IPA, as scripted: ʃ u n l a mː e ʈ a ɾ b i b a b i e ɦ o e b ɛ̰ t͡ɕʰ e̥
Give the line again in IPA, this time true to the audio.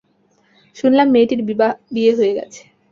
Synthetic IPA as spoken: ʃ u n l a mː e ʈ i ɾ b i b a b i e ɦ o e ɡ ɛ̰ t͡ɕʰ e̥

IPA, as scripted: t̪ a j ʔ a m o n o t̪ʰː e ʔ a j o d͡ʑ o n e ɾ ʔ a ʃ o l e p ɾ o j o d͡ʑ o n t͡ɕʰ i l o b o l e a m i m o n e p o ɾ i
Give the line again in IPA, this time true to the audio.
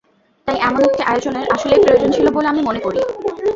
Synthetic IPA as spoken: t̪ a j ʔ ɛ m o n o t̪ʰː e ʔ a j o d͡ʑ o n e ɾ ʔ a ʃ o l e p ɾ o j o d͡ʑ o n t͡ɕʰ i l o b o l e a m i m o n e k o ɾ i

